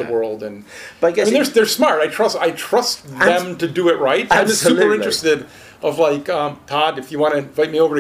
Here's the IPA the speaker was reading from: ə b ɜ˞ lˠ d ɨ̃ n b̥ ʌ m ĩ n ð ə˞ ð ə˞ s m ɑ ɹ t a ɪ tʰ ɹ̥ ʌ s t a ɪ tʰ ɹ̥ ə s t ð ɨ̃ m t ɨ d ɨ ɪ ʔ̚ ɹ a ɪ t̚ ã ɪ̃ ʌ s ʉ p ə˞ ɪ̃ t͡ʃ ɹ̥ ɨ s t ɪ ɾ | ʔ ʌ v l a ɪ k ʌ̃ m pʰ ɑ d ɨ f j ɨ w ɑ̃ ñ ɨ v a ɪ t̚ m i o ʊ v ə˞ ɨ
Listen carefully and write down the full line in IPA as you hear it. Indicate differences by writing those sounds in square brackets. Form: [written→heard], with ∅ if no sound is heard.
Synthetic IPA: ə [b→w] ɜ˞ lˠ d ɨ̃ n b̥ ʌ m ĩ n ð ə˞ ð ə˞ s m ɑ ɹ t a ɪ tʰ ɹ̥ ʌ s t a ɪ tʰ ɹ̥ [ə→ʌ] s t ð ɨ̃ m t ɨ d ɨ ɪ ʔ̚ ɹ a ɪ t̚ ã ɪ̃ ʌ s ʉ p ə˞ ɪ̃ t͡ʃ ɹ̥ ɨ s t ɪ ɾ | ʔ ʌ v l a ɪ k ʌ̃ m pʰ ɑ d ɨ f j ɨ w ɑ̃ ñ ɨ v a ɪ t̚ m i o ʊ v ə˞ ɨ